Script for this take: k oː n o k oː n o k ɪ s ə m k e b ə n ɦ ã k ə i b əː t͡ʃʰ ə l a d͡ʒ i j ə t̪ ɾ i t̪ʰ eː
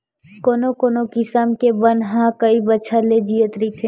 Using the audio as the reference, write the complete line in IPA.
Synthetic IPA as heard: k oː n o k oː n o k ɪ s ə m k e b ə n ɦ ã k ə i b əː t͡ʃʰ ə l e d͡ʒ i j ə t̪ ɾ i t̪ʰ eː